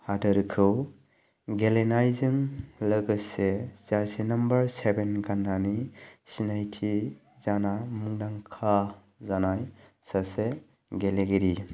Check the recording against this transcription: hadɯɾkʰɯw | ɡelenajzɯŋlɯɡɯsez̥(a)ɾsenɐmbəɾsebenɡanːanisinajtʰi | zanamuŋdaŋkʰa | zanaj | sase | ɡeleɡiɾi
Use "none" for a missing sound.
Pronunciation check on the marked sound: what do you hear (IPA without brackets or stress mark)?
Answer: a